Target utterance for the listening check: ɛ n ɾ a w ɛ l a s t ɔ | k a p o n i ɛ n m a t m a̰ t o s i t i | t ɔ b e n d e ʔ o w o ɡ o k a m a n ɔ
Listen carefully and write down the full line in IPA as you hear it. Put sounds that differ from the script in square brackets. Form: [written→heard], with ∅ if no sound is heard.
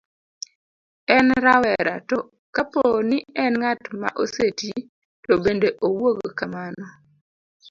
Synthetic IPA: ɛ n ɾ a w ɛ [l→ɾ] a [s→∅] t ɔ | k a p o n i ɛ n [m→ŋ] a t m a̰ [t→ʔ] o s [i→e] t i | t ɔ b e n d e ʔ o w o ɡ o k a m a n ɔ